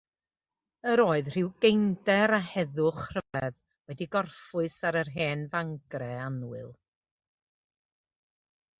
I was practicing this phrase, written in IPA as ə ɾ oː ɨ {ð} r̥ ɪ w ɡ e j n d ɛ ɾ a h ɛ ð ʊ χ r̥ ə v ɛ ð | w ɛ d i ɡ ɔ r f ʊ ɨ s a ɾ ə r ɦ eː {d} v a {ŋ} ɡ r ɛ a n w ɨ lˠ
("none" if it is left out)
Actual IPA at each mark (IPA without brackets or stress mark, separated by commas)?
ð, n, ŋ